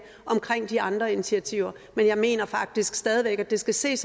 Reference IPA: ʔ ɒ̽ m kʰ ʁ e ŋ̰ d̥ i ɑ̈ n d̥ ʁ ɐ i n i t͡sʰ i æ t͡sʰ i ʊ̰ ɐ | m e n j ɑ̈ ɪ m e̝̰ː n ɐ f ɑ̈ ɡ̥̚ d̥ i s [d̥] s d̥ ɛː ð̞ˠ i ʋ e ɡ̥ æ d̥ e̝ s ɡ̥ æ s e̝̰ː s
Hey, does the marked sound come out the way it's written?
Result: no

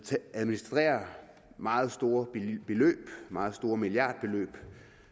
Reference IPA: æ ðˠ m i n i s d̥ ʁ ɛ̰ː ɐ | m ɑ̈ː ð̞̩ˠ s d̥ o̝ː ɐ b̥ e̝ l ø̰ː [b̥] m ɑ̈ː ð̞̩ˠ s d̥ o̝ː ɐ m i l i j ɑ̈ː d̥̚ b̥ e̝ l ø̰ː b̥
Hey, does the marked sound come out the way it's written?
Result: yes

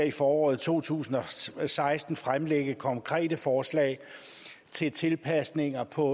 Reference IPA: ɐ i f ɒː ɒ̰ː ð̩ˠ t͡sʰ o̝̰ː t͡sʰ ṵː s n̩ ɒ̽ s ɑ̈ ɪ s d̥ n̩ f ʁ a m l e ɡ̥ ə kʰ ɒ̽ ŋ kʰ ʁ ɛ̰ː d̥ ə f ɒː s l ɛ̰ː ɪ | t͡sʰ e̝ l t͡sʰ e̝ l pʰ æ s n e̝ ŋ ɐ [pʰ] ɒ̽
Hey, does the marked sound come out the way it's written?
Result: yes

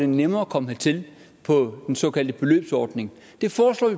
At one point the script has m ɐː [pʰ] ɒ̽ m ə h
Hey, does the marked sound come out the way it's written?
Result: no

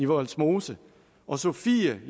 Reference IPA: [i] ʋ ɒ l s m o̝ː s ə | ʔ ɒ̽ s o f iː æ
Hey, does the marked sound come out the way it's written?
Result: yes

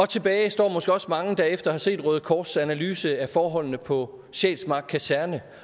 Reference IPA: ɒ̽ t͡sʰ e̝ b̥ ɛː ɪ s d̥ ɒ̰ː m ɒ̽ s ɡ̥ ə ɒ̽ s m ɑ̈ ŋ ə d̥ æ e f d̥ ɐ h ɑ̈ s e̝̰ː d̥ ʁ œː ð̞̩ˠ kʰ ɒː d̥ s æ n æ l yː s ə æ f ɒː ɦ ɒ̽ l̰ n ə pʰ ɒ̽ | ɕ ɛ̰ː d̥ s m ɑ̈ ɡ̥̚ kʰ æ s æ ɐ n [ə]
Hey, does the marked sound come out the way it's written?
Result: yes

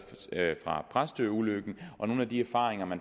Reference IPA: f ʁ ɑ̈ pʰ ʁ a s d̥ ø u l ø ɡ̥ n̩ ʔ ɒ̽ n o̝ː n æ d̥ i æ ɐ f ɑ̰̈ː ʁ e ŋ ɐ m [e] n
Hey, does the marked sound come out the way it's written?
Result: no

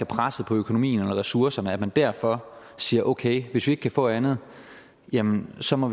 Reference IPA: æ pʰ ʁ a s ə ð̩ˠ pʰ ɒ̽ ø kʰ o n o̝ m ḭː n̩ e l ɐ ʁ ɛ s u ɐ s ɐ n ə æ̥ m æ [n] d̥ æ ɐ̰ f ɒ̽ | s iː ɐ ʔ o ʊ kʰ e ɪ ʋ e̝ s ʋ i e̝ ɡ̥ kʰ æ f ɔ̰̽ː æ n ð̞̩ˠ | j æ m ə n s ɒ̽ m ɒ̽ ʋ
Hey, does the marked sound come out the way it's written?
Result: yes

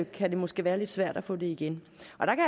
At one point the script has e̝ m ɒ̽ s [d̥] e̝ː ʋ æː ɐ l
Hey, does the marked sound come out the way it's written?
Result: no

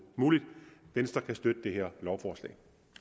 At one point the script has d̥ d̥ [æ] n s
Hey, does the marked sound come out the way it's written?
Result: no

